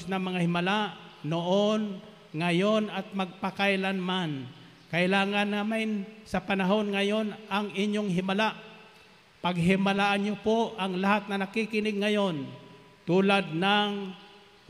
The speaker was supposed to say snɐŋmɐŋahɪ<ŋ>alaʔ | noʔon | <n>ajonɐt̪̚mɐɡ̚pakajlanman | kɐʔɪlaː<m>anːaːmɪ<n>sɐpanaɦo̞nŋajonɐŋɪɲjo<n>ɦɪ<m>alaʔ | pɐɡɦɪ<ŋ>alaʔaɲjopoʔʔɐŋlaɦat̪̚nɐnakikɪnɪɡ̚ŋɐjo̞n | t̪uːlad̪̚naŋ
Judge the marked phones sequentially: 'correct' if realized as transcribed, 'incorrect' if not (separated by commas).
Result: incorrect, incorrect, incorrect, correct, incorrect, correct, incorrect